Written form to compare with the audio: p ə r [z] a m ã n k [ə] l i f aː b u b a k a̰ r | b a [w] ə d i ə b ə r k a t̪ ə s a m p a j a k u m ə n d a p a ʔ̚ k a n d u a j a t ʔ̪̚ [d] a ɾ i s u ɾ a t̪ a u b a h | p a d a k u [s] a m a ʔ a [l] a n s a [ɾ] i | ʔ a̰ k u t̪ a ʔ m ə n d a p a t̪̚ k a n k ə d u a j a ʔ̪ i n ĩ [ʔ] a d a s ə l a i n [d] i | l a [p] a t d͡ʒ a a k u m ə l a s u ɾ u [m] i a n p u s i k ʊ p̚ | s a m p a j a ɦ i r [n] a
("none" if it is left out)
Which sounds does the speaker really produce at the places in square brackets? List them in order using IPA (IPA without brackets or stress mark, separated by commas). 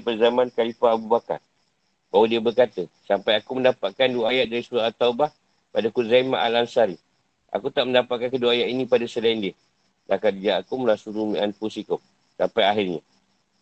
z, a, w, d, z, l, ɾ, p, d, k, m, ɲ